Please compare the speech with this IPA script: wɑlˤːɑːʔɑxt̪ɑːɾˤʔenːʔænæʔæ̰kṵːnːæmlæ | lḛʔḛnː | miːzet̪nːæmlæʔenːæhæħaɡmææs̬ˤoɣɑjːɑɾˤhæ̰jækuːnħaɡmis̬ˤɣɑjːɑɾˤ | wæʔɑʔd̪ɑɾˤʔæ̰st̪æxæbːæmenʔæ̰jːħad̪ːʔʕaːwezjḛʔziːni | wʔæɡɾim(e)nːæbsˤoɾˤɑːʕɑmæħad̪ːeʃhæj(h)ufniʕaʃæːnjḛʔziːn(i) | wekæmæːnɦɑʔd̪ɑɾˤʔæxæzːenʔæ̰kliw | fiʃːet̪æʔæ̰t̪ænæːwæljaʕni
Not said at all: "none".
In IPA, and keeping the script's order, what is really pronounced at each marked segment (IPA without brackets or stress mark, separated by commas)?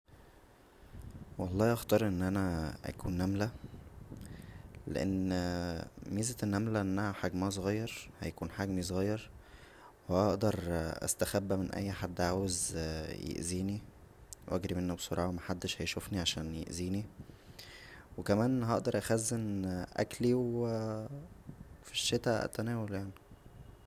e, ʃ, i